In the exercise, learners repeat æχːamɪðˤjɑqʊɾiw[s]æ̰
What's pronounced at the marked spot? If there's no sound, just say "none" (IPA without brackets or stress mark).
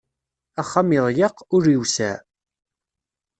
s